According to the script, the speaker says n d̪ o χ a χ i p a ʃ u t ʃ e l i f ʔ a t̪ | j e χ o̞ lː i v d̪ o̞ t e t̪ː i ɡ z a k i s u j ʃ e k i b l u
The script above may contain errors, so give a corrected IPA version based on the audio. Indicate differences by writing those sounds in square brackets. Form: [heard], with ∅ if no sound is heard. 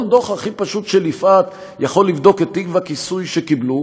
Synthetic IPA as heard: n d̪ o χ a χ i p a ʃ u t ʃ e l i f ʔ a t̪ | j [a] χ o̞ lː i v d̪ o̞ [k] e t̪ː i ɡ [v] a k i s u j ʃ e k i b l u